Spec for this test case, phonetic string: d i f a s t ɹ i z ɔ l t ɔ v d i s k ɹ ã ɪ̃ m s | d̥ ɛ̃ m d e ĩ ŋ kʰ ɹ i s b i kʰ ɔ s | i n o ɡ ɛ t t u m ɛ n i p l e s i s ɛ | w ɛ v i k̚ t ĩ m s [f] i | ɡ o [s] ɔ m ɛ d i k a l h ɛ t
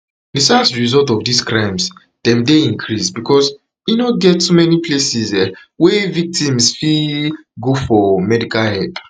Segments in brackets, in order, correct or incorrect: correct, incorrect: f

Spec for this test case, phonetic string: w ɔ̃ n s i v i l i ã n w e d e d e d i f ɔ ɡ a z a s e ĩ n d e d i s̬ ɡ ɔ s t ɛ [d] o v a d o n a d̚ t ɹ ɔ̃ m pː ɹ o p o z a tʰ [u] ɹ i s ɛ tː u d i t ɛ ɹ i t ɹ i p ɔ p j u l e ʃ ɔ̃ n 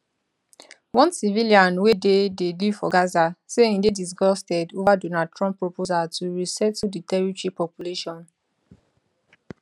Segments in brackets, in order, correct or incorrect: correct, correct

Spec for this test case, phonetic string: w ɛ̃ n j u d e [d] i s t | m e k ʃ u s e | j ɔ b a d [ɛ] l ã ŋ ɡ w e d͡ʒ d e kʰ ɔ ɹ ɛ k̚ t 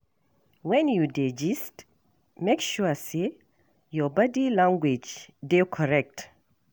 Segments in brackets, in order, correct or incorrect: incorrect: d͡ʒ, incorrect: i

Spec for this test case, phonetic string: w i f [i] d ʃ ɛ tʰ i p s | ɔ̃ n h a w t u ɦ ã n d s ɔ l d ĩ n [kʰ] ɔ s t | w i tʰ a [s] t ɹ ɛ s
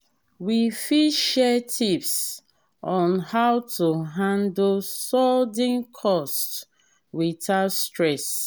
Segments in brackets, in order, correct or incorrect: correct, correct, correct

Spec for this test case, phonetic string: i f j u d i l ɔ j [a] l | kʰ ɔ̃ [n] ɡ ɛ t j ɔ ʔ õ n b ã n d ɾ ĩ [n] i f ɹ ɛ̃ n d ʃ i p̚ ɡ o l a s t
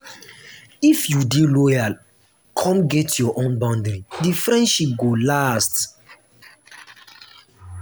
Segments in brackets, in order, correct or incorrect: correct, incorrect: m, incorrect: d

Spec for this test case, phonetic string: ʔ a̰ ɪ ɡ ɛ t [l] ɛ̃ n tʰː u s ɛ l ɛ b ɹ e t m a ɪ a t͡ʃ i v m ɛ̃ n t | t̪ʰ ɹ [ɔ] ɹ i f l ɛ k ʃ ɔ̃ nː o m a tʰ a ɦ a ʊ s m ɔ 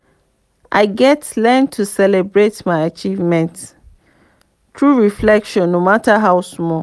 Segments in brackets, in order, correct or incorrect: correct, incorrect: u

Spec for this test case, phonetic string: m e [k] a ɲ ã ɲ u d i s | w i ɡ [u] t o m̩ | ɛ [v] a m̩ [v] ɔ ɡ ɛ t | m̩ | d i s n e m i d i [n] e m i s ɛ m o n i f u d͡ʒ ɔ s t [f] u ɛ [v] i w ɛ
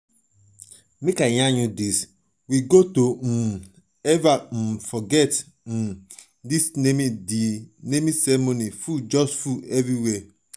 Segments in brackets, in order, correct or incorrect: correct, incorrect: o, correct, incorrect: f, correct, correct, correct

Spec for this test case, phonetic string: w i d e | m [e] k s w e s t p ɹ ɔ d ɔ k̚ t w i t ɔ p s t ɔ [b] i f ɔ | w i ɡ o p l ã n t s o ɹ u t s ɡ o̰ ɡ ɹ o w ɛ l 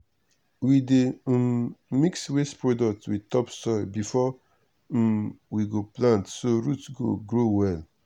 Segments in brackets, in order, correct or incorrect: incorrect: i, correct

